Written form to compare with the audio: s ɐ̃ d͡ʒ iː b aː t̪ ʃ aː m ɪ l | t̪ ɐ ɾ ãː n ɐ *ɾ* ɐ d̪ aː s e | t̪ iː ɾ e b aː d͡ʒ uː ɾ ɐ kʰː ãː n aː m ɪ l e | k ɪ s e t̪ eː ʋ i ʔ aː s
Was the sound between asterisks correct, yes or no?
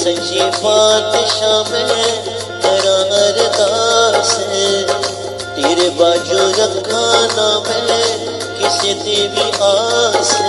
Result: yes